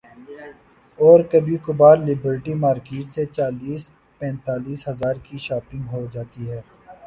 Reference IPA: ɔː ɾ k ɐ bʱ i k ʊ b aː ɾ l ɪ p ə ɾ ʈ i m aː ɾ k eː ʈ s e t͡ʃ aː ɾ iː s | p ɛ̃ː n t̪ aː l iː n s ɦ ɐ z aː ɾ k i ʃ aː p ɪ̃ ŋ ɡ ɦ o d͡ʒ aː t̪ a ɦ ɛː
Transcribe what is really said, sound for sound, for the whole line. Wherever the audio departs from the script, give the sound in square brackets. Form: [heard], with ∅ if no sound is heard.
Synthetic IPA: ɔː ɾ k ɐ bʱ i k ʊ b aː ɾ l ɪ [b] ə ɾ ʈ i m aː ɾ k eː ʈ s e t͡ʃ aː [l] iː s | p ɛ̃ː n t̪ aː l iː [∅] s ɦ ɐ z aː ɾ k i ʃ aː p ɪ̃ ŋ ɡ ɦ o d͡ʒ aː t̪ [i] ɦ ɛː